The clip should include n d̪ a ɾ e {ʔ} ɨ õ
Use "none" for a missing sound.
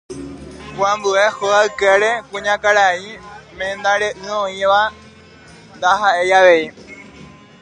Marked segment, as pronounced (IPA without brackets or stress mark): ʔ